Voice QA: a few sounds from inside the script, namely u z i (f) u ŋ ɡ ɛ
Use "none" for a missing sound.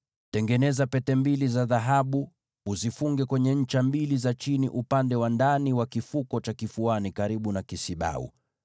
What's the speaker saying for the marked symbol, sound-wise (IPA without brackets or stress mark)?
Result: f